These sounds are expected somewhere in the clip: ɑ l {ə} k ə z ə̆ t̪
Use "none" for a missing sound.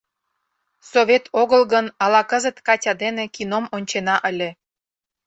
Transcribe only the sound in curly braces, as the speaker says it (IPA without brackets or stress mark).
ɑ